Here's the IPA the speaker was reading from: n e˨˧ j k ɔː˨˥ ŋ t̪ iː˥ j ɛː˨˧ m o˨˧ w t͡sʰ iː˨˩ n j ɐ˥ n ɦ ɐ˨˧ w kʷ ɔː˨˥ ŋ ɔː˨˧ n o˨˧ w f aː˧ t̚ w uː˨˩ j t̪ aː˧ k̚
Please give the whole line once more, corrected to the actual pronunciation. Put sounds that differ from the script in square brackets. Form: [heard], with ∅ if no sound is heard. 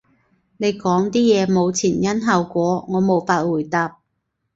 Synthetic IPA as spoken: n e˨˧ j k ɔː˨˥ ŋ t̪ iː˥ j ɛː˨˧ m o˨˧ w t͡sʰ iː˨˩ n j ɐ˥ n ɦ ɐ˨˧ w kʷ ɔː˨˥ ŋ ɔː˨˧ [m] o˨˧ w f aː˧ t̚ w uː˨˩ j t̪ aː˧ [p̚]